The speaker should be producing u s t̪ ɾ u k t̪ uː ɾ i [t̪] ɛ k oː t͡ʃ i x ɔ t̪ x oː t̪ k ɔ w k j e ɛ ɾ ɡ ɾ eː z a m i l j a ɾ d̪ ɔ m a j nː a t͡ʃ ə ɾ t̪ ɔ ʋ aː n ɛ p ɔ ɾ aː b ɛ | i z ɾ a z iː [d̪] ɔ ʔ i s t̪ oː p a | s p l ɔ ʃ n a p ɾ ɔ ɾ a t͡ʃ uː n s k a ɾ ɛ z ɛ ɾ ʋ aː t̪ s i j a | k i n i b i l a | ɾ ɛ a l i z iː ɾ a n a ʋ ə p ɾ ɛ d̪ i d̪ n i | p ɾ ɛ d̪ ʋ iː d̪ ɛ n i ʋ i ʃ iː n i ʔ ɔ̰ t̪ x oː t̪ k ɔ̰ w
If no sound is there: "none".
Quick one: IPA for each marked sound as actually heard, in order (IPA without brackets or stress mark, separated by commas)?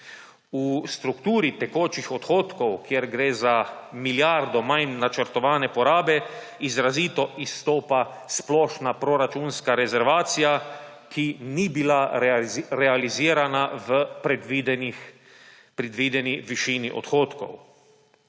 t̪, t̪